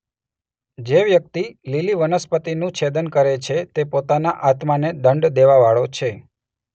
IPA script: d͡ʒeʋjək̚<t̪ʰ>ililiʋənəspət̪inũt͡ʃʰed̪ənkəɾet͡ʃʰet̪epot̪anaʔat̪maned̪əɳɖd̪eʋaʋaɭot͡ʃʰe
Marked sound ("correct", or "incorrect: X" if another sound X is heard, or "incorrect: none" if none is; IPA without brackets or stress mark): incorrect: t̪